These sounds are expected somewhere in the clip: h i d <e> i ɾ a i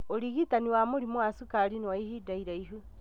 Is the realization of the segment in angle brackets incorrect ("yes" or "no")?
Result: yes